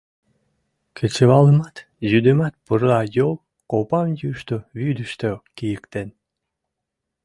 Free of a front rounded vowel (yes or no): no